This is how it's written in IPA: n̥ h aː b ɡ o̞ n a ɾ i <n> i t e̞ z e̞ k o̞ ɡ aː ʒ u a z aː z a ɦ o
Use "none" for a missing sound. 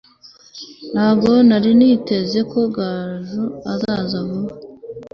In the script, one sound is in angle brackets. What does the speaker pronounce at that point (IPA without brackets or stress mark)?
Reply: n